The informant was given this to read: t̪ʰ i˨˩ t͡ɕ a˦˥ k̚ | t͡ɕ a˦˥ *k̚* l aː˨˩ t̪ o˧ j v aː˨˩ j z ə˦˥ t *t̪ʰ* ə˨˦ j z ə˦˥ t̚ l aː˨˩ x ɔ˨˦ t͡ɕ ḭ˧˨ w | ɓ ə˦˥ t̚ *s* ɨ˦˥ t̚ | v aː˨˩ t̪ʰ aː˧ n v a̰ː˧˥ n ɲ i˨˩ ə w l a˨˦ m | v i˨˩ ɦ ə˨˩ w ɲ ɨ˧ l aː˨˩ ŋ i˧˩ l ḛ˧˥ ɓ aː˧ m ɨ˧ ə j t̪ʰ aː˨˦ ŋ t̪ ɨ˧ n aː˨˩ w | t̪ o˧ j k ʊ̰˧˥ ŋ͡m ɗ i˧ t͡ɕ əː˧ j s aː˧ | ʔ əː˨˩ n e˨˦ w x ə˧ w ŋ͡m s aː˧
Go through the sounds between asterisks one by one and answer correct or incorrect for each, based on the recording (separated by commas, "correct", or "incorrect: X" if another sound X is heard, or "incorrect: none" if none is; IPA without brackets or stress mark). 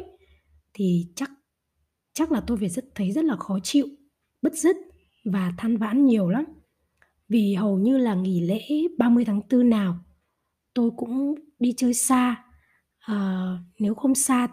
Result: correct, correct, incorrect: z